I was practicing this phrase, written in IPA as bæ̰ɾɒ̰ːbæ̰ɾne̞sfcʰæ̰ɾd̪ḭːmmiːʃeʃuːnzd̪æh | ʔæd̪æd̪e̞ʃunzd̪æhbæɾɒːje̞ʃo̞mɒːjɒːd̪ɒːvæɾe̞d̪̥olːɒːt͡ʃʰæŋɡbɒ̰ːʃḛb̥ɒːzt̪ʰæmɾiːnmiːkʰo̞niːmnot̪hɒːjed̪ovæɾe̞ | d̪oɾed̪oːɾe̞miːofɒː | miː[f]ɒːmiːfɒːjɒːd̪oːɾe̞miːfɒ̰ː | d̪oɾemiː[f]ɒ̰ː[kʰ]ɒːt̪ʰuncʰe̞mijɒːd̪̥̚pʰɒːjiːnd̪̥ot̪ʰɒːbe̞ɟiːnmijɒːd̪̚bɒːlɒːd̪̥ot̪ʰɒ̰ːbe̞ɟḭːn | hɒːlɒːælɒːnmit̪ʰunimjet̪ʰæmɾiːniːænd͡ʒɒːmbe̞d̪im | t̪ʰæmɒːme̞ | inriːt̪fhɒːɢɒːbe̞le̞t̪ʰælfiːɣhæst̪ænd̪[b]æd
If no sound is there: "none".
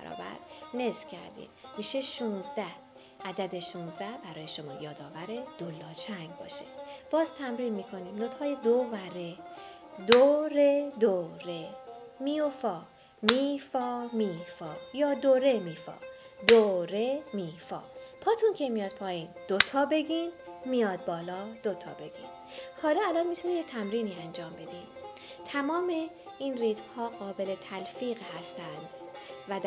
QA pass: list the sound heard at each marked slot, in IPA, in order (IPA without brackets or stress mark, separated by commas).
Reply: f, f, pʰ, v